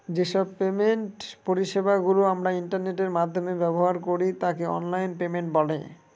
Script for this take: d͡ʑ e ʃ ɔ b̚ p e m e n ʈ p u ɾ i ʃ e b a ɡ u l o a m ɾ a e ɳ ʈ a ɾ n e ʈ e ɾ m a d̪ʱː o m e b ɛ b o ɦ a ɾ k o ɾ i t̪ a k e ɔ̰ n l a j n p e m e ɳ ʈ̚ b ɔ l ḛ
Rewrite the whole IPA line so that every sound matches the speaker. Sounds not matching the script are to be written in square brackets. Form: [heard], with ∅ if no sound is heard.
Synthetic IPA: d͡ʑ e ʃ ɔ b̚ p e m e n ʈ p [o] ɾ i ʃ e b a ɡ u l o a m ɾ a [i] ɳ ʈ a ɾ n e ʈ e ɾ m a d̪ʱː o m e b ɛ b o ɦ a ɾ k o ɾ i t̪ a k e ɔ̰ n l a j n p e m e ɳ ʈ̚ b ɔ l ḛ